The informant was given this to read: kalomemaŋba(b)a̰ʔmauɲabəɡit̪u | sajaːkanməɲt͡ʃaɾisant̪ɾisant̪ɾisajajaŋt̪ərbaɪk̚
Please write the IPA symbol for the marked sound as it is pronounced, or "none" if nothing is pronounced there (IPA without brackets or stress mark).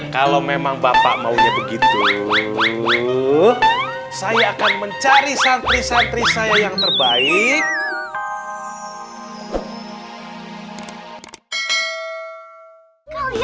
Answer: p